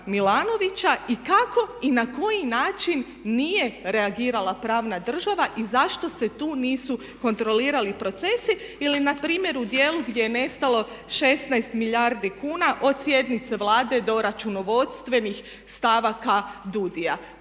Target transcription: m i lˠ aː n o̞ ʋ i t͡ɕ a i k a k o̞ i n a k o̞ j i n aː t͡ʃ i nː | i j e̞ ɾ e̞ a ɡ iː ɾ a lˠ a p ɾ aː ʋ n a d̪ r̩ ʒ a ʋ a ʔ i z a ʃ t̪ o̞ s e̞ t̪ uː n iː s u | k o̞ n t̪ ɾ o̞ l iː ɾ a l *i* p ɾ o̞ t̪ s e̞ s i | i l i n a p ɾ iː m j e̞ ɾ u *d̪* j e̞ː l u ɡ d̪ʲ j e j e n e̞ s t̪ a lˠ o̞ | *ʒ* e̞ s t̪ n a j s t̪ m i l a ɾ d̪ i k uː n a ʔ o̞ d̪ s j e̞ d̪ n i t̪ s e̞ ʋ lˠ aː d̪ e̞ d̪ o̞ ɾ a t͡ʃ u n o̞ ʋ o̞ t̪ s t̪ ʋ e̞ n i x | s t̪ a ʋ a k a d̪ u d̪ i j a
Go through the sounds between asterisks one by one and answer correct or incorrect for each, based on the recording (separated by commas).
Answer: correct, correct, incorrect